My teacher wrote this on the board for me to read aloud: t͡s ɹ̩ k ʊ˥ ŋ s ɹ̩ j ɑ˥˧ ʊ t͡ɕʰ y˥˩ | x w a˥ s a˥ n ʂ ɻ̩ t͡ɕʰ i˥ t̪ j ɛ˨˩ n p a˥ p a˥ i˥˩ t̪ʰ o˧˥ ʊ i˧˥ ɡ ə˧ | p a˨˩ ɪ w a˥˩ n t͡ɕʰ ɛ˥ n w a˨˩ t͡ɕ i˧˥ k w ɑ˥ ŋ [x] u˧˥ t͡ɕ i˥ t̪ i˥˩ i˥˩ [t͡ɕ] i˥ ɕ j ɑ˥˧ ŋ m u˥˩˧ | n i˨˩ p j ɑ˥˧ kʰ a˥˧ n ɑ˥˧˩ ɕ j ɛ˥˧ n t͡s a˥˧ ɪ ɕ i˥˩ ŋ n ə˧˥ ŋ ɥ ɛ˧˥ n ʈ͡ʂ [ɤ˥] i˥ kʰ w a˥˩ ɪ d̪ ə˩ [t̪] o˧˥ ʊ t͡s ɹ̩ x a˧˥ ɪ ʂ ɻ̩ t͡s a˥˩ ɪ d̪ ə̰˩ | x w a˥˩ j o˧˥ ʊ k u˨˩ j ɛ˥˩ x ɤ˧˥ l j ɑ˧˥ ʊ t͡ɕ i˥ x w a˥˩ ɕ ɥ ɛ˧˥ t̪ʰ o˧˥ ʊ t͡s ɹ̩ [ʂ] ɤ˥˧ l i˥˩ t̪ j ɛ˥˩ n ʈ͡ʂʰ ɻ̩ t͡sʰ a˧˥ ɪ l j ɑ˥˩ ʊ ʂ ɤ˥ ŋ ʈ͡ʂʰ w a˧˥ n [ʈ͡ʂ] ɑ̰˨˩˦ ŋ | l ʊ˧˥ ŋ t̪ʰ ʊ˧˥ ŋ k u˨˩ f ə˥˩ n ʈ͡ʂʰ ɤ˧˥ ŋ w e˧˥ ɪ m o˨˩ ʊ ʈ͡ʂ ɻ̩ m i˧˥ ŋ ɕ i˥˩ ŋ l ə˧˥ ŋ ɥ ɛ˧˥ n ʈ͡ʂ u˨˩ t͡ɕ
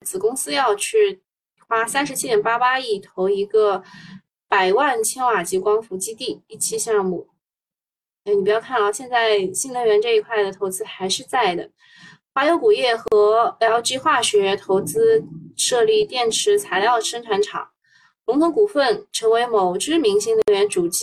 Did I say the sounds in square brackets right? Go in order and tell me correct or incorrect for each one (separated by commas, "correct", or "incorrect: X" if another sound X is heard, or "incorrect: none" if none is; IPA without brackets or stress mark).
incorrect: f, incorrect: t͡ɕʰ, incorrect: ɤ˥˧, incorrect: t̪ʰ, correct, incorrect: ʈ͡ʂʰ